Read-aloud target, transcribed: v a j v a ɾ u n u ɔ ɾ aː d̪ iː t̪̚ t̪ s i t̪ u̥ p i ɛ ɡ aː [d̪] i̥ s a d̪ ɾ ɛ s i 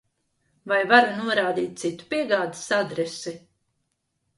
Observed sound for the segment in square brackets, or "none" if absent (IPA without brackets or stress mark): d̪